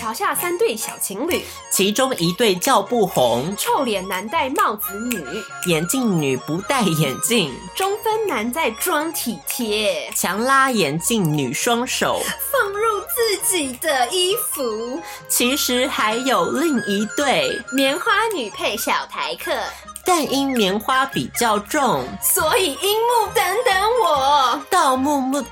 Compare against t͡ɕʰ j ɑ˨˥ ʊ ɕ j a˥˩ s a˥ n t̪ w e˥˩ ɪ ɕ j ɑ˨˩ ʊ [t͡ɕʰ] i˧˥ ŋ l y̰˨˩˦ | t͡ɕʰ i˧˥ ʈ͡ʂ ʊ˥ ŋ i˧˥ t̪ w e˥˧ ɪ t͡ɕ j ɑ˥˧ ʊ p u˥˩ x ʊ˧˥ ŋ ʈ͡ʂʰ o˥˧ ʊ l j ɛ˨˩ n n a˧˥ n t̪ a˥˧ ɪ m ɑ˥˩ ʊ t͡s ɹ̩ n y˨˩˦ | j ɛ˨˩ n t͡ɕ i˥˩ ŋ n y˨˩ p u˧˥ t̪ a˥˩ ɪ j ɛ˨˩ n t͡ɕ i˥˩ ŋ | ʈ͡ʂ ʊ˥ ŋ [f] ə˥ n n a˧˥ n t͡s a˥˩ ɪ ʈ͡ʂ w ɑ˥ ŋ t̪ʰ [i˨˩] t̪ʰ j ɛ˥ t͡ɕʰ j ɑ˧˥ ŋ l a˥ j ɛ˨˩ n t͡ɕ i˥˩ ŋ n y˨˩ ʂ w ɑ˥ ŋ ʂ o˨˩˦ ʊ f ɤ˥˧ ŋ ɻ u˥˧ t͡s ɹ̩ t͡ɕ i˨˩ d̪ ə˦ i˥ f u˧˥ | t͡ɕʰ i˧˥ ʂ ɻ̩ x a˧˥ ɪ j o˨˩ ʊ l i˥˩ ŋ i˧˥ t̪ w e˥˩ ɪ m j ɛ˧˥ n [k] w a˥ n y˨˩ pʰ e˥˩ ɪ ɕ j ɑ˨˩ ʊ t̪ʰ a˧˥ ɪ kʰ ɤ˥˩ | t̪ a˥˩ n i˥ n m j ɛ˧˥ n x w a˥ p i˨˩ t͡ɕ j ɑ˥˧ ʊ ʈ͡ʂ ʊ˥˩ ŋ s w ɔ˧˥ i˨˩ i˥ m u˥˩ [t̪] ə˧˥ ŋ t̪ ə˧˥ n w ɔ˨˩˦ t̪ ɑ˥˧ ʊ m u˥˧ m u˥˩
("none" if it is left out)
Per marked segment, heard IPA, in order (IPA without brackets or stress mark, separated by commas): t͡ɕʰ, f, i˨˩, x, t̪